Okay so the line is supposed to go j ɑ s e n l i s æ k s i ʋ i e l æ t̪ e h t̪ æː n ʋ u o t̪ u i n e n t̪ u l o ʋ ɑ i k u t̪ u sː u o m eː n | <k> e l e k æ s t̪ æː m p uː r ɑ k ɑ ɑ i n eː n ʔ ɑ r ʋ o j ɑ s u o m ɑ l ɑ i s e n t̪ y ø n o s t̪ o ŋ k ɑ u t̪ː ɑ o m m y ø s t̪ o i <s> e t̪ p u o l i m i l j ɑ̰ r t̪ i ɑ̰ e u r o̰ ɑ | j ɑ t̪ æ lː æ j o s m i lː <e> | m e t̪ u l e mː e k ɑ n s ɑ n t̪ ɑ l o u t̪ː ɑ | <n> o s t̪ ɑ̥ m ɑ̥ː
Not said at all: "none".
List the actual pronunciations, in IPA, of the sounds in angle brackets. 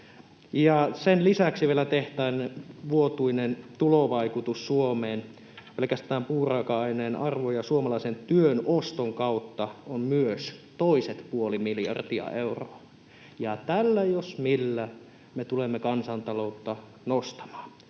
p, s, æ, n

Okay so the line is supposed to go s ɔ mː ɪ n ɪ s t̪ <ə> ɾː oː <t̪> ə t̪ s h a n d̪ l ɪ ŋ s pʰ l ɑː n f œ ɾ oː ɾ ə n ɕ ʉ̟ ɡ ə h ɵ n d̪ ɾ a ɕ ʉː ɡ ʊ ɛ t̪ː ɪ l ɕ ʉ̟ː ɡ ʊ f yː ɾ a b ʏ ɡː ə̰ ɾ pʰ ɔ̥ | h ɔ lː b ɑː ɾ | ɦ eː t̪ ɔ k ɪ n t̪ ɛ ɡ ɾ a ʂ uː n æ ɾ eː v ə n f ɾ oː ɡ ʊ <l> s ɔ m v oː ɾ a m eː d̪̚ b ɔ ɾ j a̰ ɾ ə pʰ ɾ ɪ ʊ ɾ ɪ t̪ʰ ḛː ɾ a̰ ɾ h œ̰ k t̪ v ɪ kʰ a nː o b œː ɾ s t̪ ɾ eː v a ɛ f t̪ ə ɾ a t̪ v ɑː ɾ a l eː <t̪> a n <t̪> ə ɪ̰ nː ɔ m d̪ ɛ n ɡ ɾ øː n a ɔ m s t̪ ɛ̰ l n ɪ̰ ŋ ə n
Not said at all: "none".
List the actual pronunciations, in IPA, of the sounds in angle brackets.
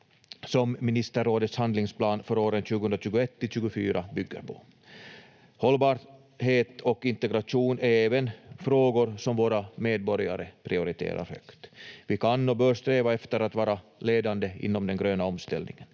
ə, d̪, ɾ, d̪, d̪

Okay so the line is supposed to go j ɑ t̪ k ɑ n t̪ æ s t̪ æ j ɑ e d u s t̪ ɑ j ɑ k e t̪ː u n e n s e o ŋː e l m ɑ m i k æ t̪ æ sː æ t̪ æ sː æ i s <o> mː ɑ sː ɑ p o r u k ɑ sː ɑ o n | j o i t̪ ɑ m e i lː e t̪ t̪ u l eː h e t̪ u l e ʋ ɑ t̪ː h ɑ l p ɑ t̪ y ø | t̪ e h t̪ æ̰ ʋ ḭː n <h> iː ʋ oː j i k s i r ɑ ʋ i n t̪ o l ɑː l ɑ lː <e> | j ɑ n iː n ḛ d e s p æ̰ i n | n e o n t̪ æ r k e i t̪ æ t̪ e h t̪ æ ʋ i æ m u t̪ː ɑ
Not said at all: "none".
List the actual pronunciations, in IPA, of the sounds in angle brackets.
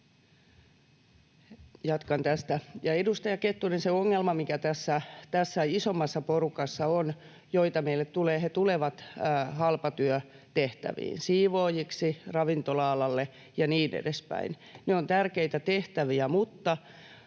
o, s, e

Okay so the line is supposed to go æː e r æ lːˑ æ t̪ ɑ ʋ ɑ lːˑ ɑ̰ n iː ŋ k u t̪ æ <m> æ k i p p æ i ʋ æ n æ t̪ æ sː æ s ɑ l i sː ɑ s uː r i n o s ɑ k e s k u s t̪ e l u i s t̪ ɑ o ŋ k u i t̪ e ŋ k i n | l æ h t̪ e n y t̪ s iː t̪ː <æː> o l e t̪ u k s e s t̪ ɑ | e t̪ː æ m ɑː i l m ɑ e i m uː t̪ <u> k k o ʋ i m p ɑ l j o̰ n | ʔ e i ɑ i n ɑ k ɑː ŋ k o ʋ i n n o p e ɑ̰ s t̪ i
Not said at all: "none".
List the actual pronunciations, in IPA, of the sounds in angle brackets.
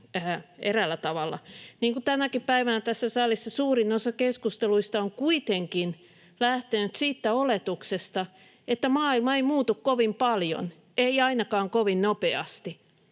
n, æ, u

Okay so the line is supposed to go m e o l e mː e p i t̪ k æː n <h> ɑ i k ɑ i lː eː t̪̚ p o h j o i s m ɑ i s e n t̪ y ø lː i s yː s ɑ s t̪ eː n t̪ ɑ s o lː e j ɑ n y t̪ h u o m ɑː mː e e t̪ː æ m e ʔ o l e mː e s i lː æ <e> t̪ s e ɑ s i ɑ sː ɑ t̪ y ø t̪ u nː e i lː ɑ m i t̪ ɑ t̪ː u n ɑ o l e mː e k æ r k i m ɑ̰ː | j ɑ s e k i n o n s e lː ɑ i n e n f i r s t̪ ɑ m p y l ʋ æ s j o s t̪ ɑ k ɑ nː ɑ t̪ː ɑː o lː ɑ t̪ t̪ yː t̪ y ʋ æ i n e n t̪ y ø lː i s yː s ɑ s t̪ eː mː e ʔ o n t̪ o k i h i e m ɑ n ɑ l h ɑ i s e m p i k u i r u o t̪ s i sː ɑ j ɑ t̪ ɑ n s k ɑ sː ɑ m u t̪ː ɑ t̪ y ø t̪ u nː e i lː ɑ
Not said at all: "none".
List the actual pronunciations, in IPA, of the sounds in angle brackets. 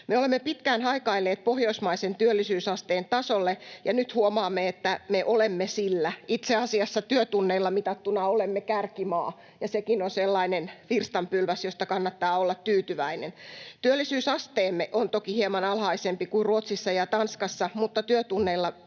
h, i

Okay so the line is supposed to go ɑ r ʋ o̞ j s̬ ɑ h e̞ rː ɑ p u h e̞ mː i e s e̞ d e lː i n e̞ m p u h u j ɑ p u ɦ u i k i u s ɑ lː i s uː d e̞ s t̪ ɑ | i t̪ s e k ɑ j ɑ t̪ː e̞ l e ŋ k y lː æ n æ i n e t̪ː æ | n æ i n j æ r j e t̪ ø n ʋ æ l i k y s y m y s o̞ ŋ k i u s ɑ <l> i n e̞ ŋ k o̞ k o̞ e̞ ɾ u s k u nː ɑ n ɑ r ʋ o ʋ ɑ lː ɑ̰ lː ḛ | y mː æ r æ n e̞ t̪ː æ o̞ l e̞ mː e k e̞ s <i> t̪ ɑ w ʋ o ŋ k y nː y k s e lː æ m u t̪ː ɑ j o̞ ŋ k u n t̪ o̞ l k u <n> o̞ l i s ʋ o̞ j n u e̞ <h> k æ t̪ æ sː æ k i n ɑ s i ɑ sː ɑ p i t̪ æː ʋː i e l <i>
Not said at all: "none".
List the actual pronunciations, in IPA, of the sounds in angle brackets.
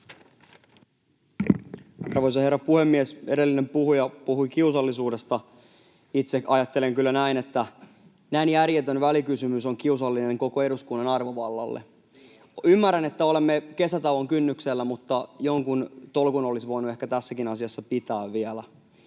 lː, æ, n, h, æ

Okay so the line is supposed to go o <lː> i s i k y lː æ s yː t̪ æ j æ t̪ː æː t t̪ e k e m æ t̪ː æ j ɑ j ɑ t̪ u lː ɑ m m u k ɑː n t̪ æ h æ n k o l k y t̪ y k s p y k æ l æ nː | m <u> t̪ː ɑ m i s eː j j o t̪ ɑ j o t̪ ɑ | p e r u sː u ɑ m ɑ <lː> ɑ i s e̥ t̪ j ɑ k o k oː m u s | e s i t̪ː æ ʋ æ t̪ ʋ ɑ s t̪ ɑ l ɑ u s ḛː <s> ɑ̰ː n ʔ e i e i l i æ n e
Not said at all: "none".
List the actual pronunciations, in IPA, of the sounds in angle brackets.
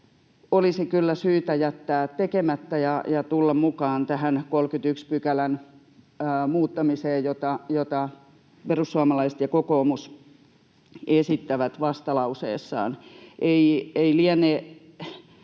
l, uː, l, sː

